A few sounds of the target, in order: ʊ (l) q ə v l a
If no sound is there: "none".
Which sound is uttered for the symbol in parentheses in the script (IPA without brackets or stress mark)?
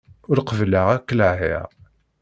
ɾ